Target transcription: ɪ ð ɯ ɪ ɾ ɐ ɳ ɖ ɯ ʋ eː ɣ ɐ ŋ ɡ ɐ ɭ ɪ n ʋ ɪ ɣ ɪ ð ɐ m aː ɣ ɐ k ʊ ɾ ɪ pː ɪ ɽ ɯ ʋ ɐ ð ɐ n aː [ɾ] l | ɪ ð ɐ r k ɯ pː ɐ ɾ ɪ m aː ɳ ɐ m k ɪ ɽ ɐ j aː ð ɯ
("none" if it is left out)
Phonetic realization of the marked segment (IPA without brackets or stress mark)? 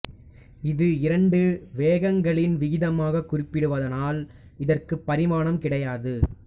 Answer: none